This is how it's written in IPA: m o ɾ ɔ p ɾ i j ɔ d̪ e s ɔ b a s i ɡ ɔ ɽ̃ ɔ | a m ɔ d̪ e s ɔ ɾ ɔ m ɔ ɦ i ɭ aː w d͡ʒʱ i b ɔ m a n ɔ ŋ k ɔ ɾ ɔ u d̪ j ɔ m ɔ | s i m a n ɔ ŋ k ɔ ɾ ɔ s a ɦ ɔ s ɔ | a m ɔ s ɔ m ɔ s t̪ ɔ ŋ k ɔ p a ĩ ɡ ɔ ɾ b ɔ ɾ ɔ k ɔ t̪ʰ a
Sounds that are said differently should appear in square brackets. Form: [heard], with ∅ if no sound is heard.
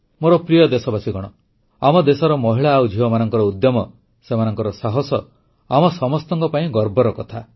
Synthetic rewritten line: m o ɾ ɔ p ɾ i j ɔ d̪ e s ɔ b a s i ɡ ɔ ɽ̃ ɔ | a m ɔ d̪ e s ɔ ɾ ɔ m ɔ ɦ i ɭ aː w d͡ʒʱ i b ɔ m a n ɔ ŋ k ɔ ɾ ɔ u d̪ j ɔ m ɔ | s [e] m a n ɔ ŋ k ɔ ɾ ɔ s a ɦ ɔ s ɔ | a m ɔ s ɔ m ɔ s t̪ ɔ ŋ k ɔ p a ĩ ɡ ɔ ɾ b ɔ ɾ ɔ k ɔ t̪ʰ a

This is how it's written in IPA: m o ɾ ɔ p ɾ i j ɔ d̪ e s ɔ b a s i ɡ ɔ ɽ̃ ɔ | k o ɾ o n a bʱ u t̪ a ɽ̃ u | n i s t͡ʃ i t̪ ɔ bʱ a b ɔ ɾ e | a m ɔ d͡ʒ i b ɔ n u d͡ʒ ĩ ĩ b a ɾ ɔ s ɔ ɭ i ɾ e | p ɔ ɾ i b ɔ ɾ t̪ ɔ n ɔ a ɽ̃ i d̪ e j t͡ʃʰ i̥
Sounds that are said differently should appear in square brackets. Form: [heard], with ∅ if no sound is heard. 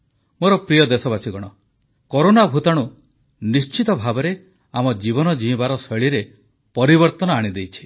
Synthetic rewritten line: m o ɾ ɔ p ɾ i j ɔ d̪ e s ɔ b a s i ɡ ɔ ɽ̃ ɔ | k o ɾ o n a bʱ u t̪ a ɽ̃ u | n i s t͡ʃ i t̪ ɔ bʱ a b ɔ ɾ e | a m ɔ d͡ʒ i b ɔ n [ɔ] d͡ʒ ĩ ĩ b a ɾ ɔ s ɔ ɭ i ɾ e | p ɔ ɾ i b ɔ ɾ t̪ ɔ n ɔ a ɽ̃ i d̪ e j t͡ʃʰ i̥

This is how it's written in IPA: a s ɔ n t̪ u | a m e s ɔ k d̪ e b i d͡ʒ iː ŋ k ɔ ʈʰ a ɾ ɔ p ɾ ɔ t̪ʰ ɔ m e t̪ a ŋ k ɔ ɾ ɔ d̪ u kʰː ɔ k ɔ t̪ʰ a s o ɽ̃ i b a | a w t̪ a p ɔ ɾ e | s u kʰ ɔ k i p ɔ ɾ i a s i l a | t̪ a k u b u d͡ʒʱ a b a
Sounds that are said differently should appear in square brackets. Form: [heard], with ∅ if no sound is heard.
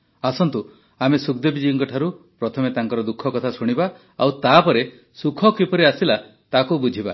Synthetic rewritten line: a s ɔ n t̪ u | a m e s [u] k d̪ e b i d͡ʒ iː ŋ k ɔ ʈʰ a ɾ [u] p ɾ ɔ t̪ʰ ɔ m e t̪ a ŋ k ɔ ɾ ɔ d̪ u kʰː ɔ k ɔ t̪ʰ a s [u] ɽ̃ i b a | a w t̪ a p ɔ ɾ e | s u kʰ ɔ k i p ɔ ɾ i a s i l a | t̪ a k u b u d͡ʒʱ [i] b a

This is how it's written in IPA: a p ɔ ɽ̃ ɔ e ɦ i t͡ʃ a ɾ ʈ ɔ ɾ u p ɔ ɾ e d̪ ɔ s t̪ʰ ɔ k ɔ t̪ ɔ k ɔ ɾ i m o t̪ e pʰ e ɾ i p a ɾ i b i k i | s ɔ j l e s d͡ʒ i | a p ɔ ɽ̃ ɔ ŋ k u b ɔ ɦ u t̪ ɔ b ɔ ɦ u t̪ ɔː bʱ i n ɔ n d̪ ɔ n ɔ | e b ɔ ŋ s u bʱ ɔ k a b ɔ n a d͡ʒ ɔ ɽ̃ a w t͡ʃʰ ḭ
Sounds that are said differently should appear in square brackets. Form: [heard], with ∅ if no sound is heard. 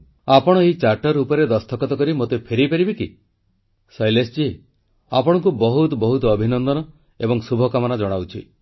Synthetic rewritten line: a p ɔ ɽ̃ ɔ e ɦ i t͡ʃ a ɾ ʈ ɔ ɾ u p ɔ ɾ e d̪ ɔ s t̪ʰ ɔ k ɔ t̪ ɔ k ɔ ɾ i m o t̪ e pʰ e ɾ i p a ɾ i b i k i | s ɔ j l e s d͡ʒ i | a p ɔ ɽ̃ ɔ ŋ k u b ɔ ɦ u t̪ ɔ b ɔ ɦ u t̪ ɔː bʱ i n ɔ n d̪ ɔ n ɔ | e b ɔ ŋ s u bʱ ɔ k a [m] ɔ n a d͡ʒ ɔ ɽ̃ a w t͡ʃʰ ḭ

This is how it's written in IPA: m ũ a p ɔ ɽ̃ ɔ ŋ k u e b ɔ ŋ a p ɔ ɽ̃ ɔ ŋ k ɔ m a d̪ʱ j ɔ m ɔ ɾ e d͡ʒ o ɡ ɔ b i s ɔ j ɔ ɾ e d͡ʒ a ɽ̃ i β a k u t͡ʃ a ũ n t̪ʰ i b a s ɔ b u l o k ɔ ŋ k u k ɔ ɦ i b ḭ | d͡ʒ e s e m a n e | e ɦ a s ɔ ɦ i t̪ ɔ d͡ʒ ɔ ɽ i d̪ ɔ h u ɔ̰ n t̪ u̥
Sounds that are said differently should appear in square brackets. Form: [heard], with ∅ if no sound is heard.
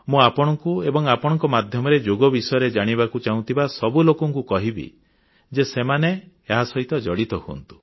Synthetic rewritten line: m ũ a p ɔ ɽ̃ ɔ ŋ k u e b ɔ ŋ a p ɔ ɽ̃ ɔ ŋ k ɔ m a d̪ʱ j ɔ m ɔ ɾ e d͡ʒ o ɡ ɔ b i s ɔ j ɔ ɾ e d͡ʒ a ɽ̃ i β a k u t͡ʃ a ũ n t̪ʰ i b a s ɔ b u l o k ɔ ŋ k u k ɔ ɦ i b ḭ | d͡ʒ e s e m a n e | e ɦ a s ɔ ɦ i t̪ ɔ d͡ʒ ɔ ɽ i [t̪] ɔ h u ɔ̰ n t̪ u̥

